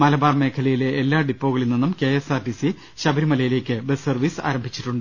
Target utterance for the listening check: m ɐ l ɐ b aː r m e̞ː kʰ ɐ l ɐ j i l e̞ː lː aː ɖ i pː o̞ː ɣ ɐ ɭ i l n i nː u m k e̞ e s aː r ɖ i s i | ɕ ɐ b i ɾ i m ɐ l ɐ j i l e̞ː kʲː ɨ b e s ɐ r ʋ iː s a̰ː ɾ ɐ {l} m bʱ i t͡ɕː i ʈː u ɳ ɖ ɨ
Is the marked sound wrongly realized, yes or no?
yes